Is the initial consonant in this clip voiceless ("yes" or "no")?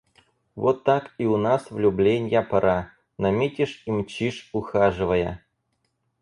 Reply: no